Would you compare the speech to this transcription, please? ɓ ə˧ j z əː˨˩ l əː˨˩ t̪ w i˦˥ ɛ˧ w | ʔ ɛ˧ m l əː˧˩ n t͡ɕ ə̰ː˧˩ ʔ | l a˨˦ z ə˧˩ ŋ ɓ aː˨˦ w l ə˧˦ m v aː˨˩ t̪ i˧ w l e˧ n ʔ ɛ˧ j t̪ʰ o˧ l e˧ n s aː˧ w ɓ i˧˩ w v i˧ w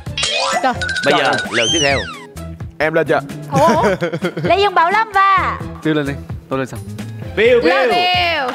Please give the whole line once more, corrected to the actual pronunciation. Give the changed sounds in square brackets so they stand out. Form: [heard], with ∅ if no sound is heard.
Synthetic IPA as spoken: ɓ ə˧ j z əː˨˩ l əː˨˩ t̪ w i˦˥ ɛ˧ w | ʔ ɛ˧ m l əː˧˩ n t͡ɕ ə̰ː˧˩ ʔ | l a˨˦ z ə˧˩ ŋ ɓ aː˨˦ w l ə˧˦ m v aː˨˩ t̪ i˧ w l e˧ n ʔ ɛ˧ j [t̪] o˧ l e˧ n s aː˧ w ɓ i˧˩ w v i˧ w